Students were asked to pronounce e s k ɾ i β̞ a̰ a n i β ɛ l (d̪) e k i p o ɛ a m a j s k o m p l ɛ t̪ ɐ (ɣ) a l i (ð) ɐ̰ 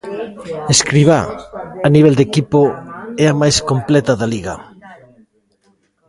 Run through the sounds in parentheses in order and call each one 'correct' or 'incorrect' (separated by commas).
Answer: correct, incorrect, incorrect